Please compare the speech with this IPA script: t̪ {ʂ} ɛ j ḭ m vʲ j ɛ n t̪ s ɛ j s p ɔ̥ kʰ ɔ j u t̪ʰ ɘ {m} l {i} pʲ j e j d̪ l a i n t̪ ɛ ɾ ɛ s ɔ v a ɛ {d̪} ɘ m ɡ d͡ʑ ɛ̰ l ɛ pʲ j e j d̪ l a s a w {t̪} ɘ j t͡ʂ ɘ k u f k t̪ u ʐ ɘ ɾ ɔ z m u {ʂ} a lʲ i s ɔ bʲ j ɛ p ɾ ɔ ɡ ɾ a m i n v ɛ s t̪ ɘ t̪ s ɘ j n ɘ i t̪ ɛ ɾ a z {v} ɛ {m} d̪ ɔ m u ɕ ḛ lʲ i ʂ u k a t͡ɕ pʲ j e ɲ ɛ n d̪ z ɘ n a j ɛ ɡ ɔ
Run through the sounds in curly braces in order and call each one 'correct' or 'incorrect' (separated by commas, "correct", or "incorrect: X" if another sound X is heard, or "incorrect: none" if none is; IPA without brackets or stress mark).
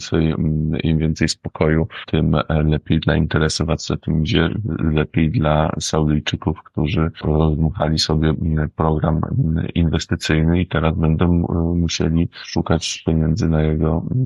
incorrect: s, correct, incorrect: ɛ, incorrect: t̪, incorrect: d̪, incorrect: x, incorrect: b, incorrect: n